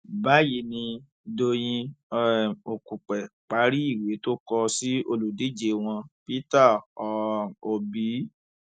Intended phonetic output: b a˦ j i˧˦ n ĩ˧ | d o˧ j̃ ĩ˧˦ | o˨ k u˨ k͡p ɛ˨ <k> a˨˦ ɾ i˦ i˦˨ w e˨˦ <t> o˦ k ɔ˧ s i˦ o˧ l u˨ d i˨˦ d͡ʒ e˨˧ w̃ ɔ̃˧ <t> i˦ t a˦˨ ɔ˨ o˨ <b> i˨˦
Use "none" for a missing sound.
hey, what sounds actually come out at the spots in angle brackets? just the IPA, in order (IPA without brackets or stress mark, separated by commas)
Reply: k͡p, t, p, b